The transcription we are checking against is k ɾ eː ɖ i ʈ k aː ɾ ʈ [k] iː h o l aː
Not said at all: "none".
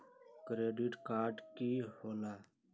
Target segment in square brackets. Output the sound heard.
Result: k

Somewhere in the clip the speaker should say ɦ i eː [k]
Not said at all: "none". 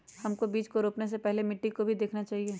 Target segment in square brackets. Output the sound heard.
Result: none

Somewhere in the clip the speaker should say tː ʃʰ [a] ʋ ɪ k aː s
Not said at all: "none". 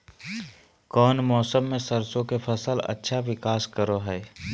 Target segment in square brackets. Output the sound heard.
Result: a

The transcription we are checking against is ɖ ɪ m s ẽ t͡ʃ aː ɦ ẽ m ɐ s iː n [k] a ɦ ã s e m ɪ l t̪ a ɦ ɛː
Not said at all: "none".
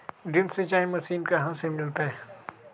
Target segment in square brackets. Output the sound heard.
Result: k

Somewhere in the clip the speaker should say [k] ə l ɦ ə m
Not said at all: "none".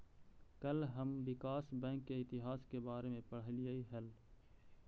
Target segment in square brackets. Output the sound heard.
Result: k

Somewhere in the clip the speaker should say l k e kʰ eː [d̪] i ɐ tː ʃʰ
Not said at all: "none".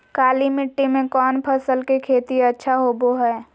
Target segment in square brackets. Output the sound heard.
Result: t̪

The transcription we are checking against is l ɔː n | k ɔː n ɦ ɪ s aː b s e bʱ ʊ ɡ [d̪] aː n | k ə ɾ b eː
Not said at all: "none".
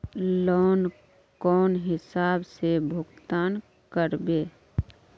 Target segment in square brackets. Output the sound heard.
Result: t̪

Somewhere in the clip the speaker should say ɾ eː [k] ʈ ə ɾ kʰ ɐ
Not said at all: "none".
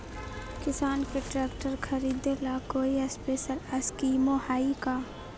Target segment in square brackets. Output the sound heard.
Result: k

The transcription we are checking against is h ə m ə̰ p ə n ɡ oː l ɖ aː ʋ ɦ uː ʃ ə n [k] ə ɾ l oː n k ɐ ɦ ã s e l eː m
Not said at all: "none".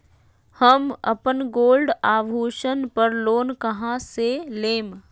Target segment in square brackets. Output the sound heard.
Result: p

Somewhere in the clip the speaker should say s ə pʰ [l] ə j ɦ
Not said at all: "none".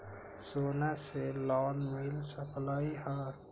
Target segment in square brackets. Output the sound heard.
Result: l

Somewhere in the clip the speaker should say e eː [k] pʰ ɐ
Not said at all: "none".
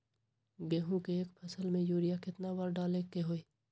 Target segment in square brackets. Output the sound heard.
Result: k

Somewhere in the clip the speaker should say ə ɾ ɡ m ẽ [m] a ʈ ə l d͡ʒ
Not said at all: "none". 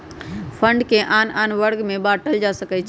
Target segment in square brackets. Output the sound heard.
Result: b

